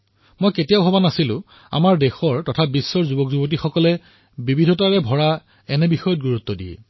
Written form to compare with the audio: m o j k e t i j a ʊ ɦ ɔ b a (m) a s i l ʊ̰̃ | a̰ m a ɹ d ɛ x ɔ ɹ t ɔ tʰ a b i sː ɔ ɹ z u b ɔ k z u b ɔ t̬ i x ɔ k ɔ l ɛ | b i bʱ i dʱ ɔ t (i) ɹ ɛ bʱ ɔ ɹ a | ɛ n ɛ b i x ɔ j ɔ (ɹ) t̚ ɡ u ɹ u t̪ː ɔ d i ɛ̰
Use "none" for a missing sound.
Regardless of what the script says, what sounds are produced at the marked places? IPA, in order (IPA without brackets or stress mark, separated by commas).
n, a, none